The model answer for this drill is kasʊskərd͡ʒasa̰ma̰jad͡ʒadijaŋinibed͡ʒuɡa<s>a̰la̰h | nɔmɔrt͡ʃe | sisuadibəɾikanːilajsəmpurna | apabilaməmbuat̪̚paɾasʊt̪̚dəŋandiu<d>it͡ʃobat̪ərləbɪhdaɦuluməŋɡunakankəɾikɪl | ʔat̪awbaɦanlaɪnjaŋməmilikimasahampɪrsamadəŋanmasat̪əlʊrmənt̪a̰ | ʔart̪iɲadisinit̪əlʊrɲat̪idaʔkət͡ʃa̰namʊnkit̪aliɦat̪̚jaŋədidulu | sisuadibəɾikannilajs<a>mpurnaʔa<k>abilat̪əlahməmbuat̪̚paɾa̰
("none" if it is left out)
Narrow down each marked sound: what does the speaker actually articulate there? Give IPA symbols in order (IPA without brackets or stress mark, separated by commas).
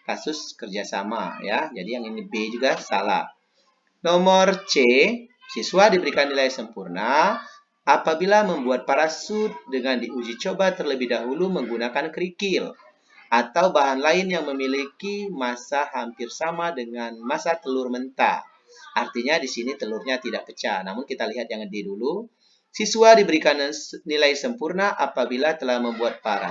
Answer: s, d͡ʒ, ə, p